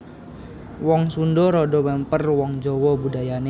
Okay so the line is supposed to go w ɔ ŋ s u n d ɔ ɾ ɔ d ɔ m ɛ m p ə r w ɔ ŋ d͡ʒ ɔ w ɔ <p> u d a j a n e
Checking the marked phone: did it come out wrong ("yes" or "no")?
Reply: yes